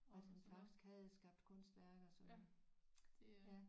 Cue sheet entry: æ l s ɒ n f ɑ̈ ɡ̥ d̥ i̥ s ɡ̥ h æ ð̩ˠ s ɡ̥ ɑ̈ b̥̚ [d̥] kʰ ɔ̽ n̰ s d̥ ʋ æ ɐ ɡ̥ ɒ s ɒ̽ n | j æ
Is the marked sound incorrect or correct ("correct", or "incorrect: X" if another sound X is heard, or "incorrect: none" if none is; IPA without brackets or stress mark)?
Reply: correct